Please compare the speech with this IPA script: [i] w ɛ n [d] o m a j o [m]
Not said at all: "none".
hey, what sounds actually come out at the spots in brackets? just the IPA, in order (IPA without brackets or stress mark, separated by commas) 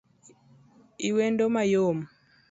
i, d, m